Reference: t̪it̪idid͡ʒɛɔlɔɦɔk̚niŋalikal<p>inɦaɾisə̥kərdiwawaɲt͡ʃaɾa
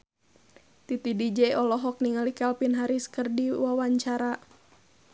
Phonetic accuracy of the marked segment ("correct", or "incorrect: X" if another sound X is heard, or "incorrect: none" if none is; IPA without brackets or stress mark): correct